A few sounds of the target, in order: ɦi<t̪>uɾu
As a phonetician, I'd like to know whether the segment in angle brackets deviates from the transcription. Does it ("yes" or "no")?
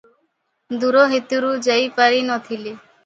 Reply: no